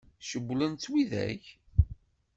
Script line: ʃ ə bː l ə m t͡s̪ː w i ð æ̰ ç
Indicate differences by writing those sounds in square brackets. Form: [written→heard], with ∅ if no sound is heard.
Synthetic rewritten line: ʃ ə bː l ə [m→n] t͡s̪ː w i ð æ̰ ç